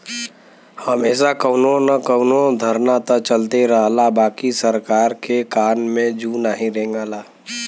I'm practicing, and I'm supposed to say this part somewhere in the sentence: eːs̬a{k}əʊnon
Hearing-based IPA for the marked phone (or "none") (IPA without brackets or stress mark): k